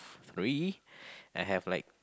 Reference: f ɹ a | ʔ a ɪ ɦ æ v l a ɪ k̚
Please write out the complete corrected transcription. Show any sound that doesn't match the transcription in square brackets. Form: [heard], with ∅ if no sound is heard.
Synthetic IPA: [θ] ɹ [i] | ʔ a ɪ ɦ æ v l a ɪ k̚